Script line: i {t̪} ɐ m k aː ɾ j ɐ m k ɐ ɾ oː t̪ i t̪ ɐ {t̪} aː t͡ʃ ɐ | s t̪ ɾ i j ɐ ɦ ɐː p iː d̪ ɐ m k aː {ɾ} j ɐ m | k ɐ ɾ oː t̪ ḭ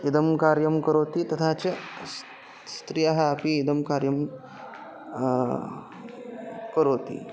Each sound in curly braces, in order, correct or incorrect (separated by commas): incorrect, incorrect, correct